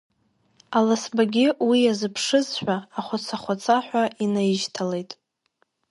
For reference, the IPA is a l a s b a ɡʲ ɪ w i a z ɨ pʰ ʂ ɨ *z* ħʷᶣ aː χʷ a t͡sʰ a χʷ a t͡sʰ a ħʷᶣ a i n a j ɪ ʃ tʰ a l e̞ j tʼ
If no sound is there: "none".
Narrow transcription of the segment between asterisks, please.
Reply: z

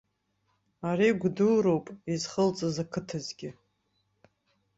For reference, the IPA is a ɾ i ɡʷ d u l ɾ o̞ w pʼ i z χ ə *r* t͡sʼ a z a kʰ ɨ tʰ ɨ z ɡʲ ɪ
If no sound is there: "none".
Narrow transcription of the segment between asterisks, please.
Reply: l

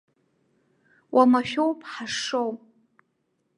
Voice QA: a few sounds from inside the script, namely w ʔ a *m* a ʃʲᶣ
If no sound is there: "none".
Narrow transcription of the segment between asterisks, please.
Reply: m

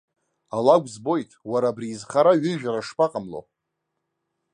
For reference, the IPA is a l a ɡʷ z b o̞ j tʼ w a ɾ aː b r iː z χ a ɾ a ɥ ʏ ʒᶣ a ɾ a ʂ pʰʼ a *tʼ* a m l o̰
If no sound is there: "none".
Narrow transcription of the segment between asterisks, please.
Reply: qʼ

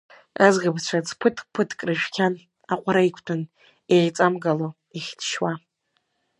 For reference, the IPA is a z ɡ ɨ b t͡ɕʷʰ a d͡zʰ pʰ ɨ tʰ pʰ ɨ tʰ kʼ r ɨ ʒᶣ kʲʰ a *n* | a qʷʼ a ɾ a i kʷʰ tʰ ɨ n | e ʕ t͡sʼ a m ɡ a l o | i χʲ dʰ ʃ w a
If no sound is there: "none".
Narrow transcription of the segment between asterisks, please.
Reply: n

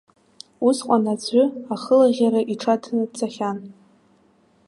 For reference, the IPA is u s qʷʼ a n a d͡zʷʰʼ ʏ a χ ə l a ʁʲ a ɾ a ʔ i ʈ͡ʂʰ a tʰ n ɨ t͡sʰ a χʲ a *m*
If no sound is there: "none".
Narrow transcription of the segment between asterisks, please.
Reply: n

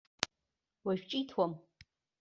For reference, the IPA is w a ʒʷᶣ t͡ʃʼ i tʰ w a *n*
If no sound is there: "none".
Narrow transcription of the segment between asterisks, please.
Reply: m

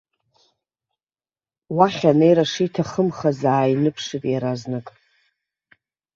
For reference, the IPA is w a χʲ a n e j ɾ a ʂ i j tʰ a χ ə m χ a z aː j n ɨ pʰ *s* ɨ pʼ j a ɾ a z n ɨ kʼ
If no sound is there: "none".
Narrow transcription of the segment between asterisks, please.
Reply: ʂ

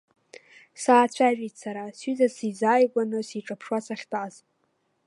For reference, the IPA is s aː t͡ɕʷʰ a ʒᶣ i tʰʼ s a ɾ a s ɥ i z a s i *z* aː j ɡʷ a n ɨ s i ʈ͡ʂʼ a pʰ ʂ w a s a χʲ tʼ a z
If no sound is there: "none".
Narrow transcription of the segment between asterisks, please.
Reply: z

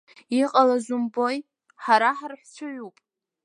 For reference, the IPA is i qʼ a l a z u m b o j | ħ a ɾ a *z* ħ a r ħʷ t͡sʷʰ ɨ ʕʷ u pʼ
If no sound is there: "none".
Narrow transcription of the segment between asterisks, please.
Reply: none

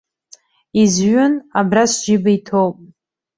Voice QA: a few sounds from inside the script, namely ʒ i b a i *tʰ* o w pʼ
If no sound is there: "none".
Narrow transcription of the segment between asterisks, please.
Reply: tʰ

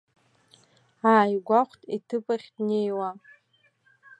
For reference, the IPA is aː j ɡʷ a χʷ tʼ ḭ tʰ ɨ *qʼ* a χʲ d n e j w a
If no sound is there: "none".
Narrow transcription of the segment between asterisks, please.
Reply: pʼ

